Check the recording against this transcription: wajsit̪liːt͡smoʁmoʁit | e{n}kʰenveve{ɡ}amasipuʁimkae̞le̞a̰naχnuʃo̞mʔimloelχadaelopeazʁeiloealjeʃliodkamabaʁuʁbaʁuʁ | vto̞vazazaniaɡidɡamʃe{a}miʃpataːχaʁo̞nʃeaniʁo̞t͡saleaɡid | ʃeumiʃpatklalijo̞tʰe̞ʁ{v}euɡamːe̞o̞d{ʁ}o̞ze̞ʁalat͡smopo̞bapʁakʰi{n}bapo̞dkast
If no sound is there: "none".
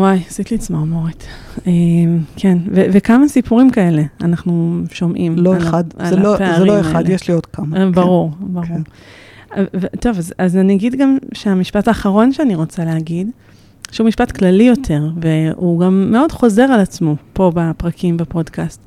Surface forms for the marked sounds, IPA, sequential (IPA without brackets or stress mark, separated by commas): m, k, a, v, χ, m